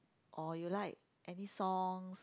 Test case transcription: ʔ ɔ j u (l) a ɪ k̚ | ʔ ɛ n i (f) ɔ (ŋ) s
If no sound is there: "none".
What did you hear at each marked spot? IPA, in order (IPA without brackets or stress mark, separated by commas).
l, s, ŋ